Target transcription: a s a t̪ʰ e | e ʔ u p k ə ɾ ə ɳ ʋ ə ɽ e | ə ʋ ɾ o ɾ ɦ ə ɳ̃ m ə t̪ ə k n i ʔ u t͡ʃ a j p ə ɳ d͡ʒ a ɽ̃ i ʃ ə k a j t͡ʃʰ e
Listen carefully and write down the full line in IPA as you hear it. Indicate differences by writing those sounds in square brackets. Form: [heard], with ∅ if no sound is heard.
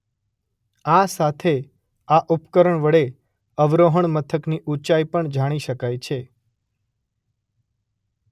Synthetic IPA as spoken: a s a t̪ʰ e | [a] ʔ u p k ə ɾ ə ɳ ʋ ə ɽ e | ə ʋ ɾ o [∅] ɦ ə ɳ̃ m ə [t̪ʰ] ə k n i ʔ u t͡ʃ a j p ə ɳ d͡ʒ a ɽ̃ i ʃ ə k a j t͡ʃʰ e